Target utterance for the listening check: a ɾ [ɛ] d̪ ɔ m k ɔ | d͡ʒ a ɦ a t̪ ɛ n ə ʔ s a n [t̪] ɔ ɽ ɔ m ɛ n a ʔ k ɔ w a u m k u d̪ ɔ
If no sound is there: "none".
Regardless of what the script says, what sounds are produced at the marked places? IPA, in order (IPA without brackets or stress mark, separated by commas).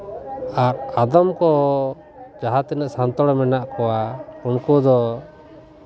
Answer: a, t̪